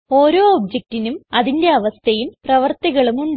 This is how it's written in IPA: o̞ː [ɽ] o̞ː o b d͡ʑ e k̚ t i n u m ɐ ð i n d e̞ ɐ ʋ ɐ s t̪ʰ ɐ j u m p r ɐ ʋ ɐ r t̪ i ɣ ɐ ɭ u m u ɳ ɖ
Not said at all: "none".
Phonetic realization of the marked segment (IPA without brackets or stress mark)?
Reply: ɾ